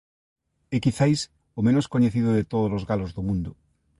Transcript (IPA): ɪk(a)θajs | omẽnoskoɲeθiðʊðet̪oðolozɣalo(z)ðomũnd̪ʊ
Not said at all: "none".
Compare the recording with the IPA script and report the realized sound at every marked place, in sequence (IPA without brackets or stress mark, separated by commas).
i, z